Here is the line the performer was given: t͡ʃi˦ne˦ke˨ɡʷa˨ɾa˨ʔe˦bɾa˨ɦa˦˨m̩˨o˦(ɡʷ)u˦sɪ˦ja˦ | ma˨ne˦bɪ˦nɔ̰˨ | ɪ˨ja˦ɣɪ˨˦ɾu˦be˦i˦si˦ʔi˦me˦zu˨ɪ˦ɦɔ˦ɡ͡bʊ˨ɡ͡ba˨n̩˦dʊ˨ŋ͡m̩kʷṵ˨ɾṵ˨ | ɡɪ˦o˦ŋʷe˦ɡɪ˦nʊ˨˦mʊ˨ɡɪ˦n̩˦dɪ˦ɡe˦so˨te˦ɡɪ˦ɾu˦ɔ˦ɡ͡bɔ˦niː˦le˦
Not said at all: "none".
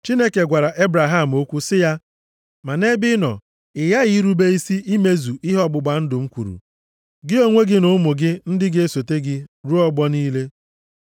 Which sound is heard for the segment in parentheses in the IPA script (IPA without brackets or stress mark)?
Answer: kʷ